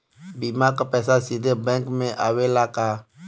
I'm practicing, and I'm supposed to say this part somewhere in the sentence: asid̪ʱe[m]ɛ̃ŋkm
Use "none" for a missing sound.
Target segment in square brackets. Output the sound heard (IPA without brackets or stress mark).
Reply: b